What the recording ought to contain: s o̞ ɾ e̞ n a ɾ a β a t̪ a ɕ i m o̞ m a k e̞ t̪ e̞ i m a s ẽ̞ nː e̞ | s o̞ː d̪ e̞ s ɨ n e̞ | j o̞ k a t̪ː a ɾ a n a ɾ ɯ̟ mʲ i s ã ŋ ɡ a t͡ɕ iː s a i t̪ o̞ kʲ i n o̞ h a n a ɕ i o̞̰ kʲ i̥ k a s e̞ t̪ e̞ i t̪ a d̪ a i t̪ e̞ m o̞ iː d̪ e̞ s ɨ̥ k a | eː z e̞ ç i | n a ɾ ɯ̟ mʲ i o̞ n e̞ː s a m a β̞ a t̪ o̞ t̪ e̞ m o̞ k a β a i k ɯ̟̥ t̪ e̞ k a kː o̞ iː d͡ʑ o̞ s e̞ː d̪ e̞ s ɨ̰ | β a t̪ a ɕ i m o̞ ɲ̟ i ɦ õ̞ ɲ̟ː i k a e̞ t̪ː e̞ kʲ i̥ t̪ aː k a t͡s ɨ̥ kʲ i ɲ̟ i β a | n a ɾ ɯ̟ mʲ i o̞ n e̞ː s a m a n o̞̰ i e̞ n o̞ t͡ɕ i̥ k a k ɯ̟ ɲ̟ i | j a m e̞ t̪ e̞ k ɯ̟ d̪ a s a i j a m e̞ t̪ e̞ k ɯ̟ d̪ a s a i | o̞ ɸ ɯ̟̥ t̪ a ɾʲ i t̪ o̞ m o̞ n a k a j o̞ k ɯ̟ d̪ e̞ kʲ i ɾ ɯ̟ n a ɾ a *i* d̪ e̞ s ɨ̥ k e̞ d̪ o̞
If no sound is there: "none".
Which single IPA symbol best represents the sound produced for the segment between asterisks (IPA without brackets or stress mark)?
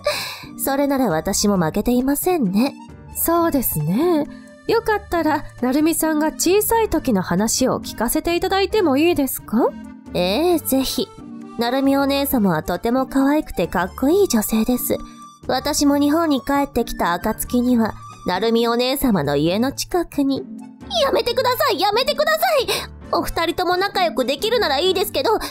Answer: iː